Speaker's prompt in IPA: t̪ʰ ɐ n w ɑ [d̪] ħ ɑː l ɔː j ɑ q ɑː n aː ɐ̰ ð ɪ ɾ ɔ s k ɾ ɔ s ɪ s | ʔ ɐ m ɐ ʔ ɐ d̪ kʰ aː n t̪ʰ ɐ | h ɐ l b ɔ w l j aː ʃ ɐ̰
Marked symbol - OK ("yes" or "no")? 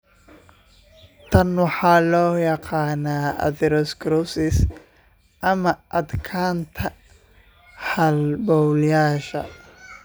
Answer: no